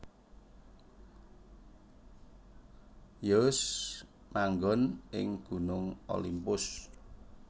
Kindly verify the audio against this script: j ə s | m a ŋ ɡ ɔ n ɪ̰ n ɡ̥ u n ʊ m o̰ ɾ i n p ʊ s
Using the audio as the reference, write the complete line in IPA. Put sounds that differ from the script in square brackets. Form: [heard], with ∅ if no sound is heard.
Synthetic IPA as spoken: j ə s | m a ŋ ɡ ɔ n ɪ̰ [ŋ] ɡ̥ u n ʊ [ŋ] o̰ [l] i [m] p ʊ s